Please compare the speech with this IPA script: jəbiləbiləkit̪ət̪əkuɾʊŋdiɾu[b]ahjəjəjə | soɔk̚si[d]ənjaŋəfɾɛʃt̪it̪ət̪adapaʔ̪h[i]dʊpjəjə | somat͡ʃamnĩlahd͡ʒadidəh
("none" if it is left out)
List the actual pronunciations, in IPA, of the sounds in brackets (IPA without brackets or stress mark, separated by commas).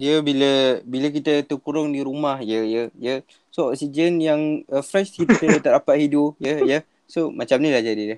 m, d͡ʒ, i